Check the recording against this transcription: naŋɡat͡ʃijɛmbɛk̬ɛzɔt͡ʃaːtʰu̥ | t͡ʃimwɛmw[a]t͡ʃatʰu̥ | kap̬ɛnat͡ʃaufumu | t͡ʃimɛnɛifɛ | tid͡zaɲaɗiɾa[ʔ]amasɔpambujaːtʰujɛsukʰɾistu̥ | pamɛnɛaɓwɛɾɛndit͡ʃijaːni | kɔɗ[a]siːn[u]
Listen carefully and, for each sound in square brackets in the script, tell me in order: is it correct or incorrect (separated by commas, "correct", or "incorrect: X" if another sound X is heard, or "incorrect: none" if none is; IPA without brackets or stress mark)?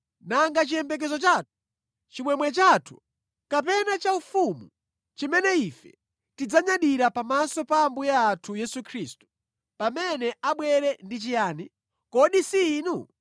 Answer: incorrect: ɛ, incorrect: p, incorrect: i, correct